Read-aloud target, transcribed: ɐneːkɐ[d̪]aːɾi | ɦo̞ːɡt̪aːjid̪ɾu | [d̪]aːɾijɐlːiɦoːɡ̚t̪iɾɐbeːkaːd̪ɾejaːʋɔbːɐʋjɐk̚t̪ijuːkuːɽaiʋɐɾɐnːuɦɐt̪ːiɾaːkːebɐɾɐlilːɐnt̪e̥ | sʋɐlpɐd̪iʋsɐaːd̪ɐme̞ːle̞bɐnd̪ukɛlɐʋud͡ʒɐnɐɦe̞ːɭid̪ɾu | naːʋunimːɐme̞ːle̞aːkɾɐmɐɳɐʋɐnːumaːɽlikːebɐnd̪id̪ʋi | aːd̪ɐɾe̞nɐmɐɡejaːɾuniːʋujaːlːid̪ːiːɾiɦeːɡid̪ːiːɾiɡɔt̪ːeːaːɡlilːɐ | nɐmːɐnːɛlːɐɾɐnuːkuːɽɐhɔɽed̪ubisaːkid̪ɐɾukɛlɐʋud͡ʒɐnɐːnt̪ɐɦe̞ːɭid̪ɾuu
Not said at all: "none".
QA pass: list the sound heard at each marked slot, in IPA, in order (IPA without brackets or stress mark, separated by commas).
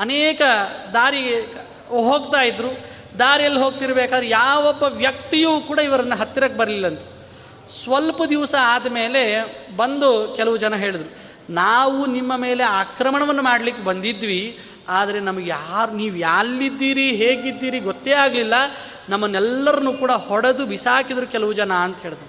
d̪, d̪